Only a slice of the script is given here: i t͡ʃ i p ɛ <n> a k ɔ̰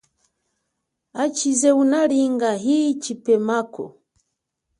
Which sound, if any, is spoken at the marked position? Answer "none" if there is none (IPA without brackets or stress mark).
m